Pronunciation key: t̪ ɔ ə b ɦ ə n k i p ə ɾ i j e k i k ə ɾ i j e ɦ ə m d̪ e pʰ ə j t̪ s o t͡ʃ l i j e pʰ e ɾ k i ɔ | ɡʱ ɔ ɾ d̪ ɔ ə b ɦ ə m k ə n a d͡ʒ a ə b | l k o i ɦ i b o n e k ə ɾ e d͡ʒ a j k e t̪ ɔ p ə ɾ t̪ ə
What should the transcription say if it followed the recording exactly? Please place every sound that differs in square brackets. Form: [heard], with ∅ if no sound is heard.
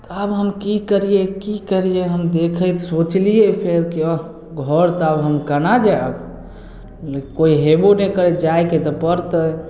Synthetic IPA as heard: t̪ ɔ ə b ɦ ə [m] k i [k] ə ɾ i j e k i k ə ɾ i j e ɦ ə m d̪ e [kʰ] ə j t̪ s o t͡ʃ l i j e pʰ e ɾ k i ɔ | ɡʱ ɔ ɾ [t̪] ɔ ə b ɦ ə m k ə n a d͡ʒ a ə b | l k o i ɦ [e] b o n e k ə ɾ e d͡ʒ a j k e t̪ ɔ p ə ɾ t̪ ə